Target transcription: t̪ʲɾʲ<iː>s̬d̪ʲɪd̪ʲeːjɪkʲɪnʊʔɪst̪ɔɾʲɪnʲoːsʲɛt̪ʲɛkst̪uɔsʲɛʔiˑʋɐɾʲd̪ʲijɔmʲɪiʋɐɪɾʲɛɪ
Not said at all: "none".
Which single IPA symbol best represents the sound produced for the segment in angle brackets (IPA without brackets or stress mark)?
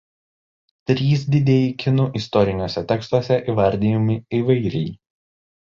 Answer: iː